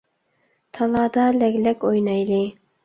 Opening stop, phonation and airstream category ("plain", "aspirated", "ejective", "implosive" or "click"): aspirated